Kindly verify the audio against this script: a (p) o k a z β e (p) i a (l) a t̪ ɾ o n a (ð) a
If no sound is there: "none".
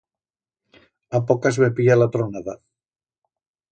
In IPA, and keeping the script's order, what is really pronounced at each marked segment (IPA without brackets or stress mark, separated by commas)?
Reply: p, p, l, ð